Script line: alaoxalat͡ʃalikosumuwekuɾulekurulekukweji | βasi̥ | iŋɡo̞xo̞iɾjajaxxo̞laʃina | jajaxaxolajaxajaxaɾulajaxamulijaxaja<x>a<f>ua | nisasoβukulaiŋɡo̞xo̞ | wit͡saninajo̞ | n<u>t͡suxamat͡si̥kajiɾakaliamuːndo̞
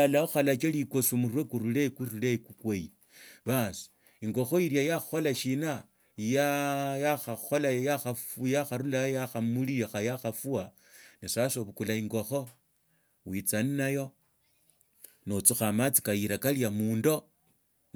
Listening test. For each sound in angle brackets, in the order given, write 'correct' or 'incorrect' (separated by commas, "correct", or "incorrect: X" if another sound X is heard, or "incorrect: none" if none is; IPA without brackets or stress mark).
correct, correct, incorrect: o